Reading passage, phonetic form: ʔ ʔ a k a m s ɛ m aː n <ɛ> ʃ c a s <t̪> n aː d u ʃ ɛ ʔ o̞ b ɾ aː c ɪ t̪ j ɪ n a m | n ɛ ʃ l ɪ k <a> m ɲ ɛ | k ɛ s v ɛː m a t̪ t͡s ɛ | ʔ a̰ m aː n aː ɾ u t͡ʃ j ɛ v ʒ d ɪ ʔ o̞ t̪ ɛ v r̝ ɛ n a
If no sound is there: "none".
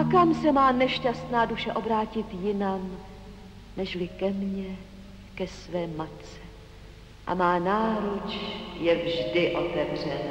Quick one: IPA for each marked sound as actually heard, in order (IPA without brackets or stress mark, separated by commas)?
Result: ɛ, t̪, ɛ